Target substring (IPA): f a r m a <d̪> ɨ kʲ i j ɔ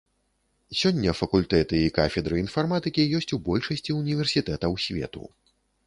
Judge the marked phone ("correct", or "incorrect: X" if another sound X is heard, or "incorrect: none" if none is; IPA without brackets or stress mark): incorrect: t̪